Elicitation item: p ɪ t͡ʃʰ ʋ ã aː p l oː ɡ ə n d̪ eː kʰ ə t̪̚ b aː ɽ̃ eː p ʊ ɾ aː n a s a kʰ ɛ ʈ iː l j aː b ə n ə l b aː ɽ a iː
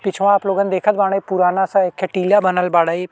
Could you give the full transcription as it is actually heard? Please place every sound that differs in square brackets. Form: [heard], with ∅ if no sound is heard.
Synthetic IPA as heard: p ɪ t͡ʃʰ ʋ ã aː p l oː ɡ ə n d̪ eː kʰ ə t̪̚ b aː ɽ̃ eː p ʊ ɾ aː n a s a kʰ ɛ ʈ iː l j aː b ə n ə l b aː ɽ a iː